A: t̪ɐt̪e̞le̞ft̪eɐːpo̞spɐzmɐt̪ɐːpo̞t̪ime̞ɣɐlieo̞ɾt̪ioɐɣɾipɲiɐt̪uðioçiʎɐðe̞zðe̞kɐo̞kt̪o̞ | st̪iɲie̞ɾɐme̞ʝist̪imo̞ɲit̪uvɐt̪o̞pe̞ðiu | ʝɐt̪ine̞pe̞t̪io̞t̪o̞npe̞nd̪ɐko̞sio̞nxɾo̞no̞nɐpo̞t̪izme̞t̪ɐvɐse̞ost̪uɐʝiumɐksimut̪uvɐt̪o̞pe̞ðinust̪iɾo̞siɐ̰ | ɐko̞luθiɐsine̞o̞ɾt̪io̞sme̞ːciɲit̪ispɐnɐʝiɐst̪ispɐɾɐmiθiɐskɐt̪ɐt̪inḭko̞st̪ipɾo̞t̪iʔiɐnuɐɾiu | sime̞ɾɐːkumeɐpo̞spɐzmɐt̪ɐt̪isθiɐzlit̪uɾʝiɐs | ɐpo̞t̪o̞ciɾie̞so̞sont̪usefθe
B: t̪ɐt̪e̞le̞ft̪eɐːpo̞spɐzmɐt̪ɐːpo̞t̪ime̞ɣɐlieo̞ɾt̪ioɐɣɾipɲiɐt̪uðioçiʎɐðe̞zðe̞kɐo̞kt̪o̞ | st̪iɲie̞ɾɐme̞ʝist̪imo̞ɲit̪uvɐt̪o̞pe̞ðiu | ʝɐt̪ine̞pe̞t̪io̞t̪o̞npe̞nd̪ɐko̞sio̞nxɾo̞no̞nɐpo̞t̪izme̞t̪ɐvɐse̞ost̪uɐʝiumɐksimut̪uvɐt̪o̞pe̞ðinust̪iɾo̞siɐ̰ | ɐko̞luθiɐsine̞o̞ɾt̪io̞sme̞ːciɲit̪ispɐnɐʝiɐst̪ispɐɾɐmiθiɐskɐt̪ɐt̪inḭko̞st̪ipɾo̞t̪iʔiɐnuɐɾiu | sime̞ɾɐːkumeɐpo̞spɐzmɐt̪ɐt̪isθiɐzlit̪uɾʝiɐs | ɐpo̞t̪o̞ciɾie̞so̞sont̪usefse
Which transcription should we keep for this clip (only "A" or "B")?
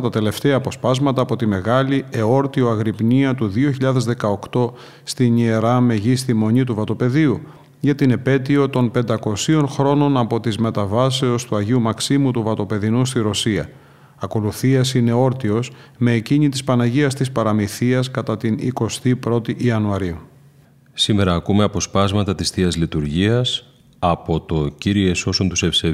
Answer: B